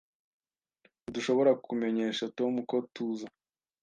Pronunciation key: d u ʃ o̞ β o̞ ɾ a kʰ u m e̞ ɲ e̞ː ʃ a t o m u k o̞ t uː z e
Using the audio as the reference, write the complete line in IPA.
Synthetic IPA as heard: d u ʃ o̞ β o̞ ɾ a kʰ u m e̞ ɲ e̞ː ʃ a t o m u k o̞ t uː z a